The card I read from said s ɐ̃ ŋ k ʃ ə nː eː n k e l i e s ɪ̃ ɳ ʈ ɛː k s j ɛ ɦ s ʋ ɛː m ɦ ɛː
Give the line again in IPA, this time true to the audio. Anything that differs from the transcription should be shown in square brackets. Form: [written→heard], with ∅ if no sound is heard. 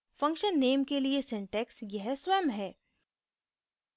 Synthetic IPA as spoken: [s→f] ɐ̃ ŋ k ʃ ə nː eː [n→m] k e l i e s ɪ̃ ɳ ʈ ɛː k s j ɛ ɦ s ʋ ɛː m ɦ ɛː